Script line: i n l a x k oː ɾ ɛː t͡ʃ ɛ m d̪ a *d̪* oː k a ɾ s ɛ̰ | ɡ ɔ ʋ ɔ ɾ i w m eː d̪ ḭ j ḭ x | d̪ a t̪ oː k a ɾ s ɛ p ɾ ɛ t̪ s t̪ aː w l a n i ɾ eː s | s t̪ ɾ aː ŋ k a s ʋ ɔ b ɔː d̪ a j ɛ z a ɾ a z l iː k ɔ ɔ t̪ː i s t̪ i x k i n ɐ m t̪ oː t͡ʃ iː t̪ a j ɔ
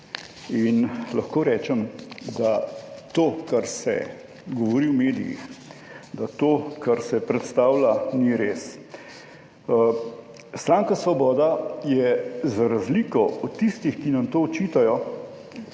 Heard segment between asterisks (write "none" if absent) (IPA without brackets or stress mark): t̪